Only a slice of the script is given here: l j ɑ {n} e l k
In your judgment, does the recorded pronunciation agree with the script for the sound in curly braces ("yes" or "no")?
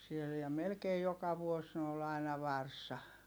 no